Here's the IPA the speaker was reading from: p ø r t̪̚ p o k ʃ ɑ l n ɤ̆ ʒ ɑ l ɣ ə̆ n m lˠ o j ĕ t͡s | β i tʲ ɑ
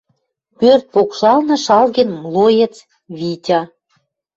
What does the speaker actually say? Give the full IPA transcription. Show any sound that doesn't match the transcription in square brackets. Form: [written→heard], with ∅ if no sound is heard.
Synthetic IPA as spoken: p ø r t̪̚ p o k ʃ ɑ l n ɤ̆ [ʒ→ʃ] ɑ l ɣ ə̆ n m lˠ o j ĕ t͡s | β i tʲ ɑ